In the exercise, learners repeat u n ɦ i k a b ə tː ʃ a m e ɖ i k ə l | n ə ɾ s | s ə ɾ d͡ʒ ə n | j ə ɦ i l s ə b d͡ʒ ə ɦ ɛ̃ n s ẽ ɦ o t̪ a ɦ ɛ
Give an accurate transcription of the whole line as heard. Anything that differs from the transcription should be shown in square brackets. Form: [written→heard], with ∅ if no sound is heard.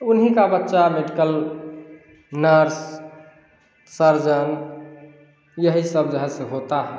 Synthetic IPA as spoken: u n ɦ i k a b ə tː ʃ a m e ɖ i k ə l | n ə ɾ s | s ə ɾ d͡ʒ ə n | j ə ɦ i [l→∅] s ə b d͡ʒ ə ɦ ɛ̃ [n→∅] s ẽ ɦ o t̪ a ɦ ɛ